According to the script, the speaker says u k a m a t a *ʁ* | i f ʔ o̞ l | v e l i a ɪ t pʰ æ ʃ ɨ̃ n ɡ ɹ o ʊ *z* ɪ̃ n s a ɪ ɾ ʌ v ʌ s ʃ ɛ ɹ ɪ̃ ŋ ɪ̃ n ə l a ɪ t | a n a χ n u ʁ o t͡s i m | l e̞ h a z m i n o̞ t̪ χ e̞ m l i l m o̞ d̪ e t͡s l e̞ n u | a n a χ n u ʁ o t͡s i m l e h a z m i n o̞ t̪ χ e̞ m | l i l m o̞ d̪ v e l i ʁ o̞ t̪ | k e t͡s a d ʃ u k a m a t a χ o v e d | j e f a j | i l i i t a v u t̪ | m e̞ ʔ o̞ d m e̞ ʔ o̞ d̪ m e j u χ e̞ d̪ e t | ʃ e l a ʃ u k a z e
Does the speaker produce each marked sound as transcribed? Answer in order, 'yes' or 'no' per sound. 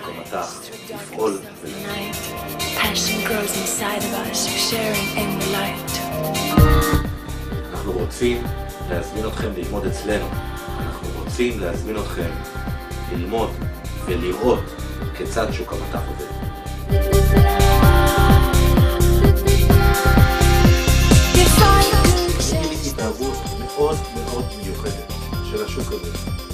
no, yes

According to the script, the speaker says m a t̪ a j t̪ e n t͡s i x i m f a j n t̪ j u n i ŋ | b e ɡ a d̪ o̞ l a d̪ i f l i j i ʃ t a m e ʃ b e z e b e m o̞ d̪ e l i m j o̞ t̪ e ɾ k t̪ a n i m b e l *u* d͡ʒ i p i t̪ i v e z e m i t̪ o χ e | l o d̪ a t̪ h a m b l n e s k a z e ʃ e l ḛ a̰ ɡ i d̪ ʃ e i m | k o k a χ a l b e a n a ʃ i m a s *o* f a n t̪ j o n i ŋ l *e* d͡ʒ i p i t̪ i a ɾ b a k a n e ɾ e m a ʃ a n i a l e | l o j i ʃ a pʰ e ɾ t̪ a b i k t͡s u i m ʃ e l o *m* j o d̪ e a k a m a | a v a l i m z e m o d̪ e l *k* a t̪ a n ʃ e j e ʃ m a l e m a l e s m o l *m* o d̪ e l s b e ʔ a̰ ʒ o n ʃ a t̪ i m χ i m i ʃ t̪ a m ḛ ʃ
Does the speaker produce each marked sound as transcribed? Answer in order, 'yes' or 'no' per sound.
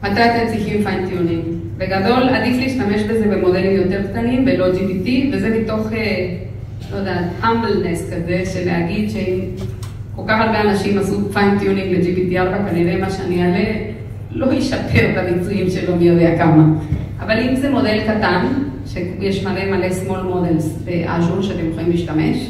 no, no, yes, yes, yes, yes

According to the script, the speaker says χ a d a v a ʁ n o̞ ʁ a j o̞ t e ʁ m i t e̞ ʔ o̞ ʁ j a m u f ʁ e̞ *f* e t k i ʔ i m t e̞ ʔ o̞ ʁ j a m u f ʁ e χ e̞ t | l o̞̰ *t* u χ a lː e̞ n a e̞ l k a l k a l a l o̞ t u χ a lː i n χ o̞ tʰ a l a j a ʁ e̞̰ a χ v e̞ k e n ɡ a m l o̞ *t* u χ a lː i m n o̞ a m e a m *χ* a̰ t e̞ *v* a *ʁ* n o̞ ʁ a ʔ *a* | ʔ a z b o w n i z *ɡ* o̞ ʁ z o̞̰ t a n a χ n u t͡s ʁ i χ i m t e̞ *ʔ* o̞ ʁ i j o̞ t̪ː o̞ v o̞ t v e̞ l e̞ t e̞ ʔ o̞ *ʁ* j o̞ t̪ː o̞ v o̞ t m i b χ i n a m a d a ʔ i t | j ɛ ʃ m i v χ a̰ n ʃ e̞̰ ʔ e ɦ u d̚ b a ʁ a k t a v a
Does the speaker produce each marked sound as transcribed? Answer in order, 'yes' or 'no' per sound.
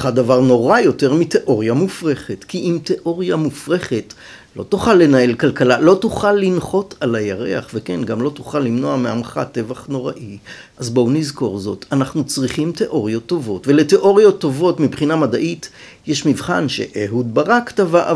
no, yes, yes, yes, yes, no, no, no, yes, yes

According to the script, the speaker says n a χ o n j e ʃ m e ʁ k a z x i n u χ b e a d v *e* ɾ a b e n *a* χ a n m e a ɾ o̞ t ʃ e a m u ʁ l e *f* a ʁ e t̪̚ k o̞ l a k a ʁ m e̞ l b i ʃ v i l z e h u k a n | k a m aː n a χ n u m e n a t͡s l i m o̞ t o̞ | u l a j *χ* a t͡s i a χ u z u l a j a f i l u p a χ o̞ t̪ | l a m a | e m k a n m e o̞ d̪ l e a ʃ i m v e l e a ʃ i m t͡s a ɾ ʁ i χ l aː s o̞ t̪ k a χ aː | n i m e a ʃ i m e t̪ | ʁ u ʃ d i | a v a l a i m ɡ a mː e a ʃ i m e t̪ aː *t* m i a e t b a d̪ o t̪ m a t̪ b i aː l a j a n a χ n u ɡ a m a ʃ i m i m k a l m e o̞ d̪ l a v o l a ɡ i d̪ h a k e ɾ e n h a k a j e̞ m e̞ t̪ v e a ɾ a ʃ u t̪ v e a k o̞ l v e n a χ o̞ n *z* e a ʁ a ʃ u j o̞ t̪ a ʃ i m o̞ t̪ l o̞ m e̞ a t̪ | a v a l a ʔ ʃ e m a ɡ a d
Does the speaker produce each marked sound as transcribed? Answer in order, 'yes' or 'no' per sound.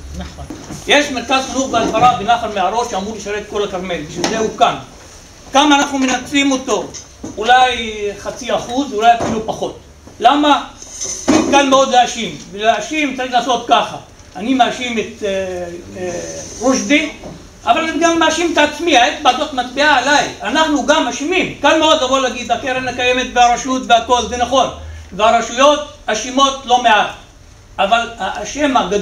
no, yes, no, yes, no, no

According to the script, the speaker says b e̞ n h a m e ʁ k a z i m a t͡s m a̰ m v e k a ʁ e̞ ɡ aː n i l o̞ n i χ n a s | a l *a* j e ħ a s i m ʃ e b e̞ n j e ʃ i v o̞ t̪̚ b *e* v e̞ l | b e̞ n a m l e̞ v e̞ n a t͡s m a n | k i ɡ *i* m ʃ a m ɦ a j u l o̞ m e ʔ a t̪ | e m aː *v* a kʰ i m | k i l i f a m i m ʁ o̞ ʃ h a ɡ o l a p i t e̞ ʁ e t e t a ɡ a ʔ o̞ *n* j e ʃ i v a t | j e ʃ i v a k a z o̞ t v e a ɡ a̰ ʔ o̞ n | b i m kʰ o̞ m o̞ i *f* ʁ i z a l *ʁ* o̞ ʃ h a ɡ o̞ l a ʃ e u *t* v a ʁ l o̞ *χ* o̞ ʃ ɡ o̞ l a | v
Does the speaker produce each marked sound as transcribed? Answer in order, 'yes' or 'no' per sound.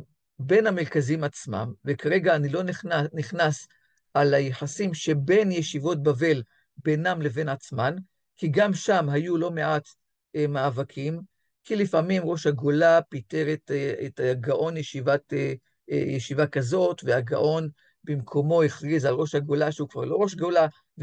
yes, no, no, yes, yes, no, yes, no, no

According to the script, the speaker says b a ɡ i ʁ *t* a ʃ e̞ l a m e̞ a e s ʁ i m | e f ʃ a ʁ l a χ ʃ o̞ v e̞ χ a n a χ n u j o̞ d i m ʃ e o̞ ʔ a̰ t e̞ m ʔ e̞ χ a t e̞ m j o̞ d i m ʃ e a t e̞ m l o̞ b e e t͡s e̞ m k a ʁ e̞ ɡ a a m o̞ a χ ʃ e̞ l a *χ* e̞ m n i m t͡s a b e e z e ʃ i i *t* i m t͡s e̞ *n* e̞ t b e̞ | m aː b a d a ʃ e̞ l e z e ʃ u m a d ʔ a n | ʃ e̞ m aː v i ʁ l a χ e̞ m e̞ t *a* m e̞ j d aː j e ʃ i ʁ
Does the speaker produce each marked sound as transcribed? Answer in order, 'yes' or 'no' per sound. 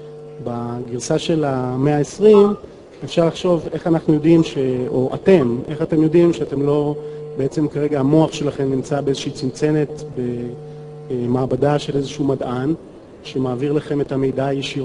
no, yes, no, yes, yes

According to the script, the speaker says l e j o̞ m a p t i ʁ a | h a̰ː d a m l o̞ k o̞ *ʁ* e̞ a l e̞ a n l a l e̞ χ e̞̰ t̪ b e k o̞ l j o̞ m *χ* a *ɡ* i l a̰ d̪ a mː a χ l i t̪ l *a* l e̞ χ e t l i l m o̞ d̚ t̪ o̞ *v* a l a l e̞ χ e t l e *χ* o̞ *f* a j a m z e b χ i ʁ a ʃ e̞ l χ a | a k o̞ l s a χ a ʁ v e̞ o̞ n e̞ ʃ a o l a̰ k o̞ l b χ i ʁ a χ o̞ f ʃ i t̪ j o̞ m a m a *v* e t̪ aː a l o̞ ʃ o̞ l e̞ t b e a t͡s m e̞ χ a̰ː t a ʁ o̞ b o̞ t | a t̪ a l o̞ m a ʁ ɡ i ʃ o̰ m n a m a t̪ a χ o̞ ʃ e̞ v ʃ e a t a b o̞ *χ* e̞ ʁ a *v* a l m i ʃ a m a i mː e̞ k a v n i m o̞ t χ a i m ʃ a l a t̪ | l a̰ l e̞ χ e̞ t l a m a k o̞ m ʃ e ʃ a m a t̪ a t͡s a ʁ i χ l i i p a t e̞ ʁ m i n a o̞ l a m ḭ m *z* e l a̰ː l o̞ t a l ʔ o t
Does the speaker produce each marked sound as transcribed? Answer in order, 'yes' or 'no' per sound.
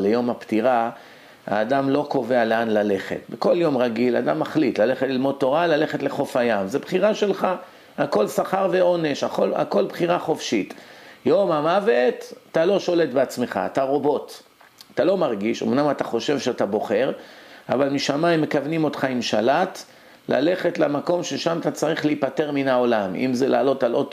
no, no, yes, yes, no, yes, yes, yes, yes, yes, yes

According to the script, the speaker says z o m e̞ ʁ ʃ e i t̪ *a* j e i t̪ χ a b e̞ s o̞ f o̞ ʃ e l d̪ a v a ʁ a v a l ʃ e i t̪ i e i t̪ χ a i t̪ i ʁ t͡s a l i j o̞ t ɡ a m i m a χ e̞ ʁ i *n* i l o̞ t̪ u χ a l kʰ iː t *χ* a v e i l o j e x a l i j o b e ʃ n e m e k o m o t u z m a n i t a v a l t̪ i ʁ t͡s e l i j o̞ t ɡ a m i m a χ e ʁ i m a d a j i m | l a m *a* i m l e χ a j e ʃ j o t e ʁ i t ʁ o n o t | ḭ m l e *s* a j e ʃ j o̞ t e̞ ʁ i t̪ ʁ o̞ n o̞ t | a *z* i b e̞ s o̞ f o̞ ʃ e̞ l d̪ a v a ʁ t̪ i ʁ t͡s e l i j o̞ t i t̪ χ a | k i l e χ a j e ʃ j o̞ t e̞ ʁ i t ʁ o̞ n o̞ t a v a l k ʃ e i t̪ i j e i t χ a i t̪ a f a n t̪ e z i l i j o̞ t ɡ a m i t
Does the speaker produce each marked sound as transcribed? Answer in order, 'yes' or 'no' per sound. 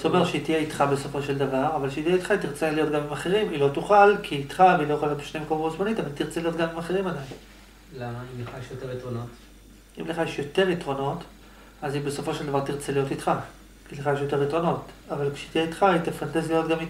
no, no, yes, yes, no, yes

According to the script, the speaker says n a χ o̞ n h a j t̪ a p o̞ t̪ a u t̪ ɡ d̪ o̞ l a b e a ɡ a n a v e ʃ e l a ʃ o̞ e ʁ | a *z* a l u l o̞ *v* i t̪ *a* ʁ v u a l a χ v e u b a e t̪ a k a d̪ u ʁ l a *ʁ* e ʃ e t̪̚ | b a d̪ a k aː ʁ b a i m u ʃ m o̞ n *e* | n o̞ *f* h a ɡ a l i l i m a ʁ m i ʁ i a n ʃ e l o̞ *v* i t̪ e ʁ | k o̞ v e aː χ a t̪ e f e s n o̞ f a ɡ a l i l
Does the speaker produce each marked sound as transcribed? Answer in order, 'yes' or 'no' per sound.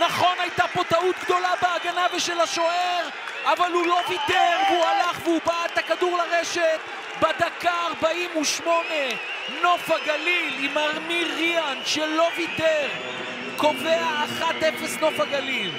no, yes, no, yes, yes, yes, yes

